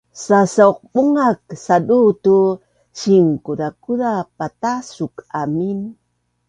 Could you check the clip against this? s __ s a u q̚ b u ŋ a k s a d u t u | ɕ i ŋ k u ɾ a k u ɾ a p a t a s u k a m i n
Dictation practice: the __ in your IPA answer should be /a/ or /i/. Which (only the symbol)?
a